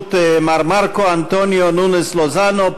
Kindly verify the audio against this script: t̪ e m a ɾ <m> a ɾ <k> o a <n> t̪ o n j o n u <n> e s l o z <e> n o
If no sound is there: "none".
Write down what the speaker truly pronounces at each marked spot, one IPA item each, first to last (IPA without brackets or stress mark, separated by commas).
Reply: m, k, n, n, a